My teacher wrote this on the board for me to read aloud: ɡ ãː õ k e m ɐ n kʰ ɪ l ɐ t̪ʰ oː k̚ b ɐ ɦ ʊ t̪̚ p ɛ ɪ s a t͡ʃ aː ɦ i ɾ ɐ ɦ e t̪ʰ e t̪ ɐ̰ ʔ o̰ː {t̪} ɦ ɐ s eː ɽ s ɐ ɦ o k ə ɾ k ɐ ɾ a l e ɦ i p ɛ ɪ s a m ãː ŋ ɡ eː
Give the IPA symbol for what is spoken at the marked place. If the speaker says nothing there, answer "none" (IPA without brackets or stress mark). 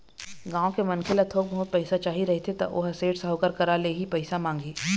none